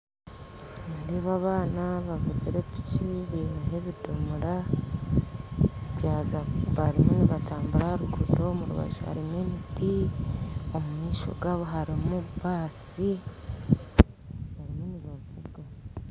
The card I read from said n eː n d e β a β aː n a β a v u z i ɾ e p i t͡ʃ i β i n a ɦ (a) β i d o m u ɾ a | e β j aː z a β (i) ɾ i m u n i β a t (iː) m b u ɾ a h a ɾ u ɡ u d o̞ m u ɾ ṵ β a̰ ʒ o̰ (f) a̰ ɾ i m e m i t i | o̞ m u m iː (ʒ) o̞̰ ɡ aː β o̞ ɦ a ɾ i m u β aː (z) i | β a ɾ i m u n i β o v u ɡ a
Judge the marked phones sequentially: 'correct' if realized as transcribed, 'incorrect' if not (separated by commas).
incorrect, incorrect, incorrect, incorrect, incorrect, incorrect